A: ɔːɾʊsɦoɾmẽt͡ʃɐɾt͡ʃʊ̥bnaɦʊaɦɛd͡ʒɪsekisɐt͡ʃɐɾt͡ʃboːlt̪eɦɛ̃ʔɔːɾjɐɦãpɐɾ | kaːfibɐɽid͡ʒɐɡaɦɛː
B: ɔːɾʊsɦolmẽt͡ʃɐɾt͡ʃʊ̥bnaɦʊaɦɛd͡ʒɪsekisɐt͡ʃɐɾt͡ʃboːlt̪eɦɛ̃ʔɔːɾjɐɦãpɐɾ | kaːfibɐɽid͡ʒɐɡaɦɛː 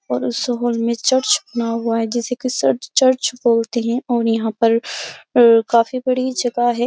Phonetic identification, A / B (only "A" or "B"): B